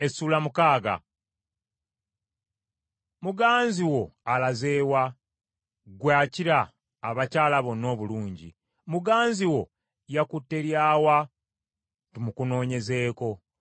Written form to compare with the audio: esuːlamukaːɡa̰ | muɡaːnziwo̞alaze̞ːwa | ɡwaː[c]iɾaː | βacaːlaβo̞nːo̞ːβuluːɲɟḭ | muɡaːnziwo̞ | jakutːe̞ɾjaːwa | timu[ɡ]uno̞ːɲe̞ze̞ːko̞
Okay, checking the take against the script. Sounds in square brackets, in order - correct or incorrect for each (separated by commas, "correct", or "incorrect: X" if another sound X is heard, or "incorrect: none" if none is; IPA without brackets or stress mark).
correct, incorrect: k